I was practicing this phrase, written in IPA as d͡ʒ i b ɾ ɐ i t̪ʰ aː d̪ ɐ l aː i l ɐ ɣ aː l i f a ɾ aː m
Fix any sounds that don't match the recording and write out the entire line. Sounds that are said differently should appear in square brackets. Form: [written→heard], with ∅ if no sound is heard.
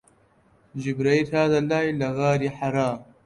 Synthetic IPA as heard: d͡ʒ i b ɾ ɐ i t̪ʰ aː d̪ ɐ l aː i l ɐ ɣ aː [l→ɾ] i [f→ħ] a ɾ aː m